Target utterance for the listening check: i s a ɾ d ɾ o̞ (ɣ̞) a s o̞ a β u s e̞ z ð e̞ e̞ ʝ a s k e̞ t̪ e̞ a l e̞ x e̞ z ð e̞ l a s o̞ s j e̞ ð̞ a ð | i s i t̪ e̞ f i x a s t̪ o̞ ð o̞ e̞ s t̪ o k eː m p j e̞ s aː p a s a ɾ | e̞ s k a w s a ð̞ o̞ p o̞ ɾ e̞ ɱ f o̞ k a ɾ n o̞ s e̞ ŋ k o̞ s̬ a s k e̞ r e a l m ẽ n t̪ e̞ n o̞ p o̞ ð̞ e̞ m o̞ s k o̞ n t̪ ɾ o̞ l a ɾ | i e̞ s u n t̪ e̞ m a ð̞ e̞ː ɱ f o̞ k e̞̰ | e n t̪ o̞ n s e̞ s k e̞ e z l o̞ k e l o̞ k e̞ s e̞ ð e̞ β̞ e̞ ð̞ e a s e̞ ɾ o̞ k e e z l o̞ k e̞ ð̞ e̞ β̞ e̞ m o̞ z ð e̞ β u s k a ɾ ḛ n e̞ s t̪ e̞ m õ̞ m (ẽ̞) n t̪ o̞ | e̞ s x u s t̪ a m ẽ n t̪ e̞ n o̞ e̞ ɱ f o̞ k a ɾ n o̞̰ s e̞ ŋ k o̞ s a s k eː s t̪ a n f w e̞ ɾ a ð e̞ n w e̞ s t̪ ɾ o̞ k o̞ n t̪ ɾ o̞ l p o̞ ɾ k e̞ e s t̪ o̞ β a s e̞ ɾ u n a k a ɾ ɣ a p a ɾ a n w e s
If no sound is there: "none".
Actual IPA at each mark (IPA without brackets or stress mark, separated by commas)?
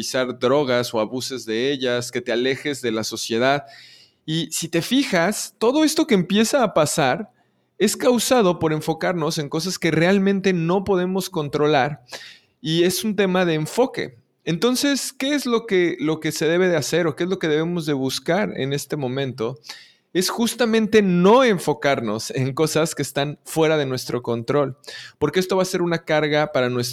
ɣ̞, ẽ̞